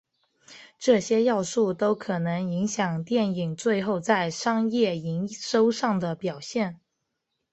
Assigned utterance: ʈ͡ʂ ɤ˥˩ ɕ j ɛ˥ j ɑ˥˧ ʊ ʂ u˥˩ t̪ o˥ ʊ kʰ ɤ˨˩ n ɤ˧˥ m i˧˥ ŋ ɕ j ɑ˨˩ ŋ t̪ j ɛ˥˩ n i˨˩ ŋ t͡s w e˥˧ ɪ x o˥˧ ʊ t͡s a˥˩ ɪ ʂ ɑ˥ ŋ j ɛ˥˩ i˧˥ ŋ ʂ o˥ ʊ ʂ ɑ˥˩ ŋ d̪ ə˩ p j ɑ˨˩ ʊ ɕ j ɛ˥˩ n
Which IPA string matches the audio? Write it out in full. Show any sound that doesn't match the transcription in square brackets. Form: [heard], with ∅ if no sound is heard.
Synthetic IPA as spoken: ʈ͡ʂ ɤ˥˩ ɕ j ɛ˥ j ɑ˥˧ ʊ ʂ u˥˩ t̪ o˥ ʊ kʰ ɤ˨˩ n ɤ˧˥ [ŋ] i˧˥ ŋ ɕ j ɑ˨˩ ŋ t̪ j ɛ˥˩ n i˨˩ ŋ t͡s w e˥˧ ɪ x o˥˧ ʊ t͡s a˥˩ ɪ ʂ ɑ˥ ŋ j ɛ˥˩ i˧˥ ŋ ʂ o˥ ʊ ʂ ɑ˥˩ ŋ d̪ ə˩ p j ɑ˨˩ ʊ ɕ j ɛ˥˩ n